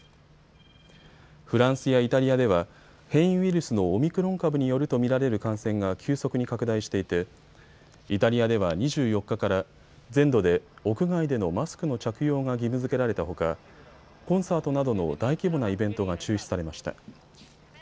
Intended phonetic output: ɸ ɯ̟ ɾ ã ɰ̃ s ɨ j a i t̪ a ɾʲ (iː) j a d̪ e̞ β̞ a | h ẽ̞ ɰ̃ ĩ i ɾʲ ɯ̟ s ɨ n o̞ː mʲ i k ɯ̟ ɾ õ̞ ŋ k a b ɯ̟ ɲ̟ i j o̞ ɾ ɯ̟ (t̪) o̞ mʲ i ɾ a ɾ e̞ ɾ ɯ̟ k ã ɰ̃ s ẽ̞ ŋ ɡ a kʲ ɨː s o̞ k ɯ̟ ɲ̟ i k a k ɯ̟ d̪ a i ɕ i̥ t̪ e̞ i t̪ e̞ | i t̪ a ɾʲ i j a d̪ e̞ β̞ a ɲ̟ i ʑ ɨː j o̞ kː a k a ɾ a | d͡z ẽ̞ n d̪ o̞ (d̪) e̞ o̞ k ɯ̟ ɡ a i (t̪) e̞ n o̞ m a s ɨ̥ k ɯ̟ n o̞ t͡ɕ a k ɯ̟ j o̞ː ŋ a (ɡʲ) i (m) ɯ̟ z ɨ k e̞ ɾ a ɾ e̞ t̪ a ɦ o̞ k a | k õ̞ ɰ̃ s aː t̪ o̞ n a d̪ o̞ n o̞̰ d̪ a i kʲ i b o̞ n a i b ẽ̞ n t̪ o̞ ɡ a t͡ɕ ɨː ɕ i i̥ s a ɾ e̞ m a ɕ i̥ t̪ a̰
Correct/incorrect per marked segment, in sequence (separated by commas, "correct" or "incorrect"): incorrect, correct, correct, incorrect, correct, correct